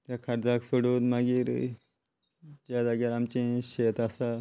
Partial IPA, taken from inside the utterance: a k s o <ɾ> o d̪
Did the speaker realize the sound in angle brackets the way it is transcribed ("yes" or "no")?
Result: no